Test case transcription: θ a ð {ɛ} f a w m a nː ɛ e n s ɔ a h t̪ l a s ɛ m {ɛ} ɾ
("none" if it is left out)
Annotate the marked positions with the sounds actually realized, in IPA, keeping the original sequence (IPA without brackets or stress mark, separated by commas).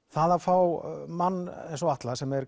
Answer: a, ɛ